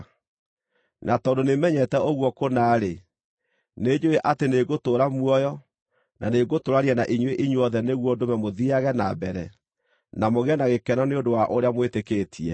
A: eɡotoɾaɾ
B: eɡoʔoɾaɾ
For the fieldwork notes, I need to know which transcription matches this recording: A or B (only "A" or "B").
A